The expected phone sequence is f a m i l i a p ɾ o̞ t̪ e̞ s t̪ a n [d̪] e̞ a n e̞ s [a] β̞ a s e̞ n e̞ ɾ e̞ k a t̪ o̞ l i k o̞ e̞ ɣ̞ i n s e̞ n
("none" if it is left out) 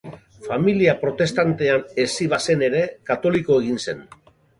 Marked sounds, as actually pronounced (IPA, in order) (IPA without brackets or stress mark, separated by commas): t̪, i